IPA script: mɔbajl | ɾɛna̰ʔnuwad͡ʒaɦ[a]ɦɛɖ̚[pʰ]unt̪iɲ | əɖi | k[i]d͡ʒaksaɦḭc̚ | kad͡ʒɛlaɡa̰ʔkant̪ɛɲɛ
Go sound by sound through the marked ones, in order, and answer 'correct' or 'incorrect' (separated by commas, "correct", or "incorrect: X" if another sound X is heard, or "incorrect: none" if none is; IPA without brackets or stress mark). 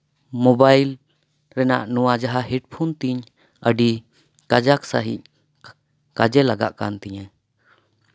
correct, correct, incorrect: a